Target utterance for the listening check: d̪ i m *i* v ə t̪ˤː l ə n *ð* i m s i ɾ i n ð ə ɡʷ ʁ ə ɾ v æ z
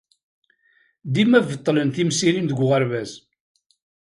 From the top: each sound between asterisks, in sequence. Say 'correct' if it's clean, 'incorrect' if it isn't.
incorrect: æ, incorrect: θ

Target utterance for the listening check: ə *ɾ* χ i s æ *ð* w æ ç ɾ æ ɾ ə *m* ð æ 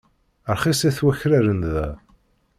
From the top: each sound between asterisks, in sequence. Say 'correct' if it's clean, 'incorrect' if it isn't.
correct, incorrect: θ, incorrect: n

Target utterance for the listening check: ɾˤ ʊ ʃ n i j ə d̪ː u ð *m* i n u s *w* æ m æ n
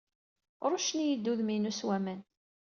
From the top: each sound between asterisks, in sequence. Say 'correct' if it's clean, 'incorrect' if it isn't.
correct, correct

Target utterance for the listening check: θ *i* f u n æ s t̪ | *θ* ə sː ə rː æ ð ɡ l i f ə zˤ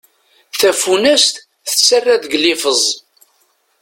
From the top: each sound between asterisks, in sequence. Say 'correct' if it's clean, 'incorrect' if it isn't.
incorrect: æ, correct

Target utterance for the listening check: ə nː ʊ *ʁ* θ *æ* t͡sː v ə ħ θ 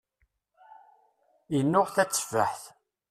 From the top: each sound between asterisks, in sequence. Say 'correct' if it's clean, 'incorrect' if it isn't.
correct, correct

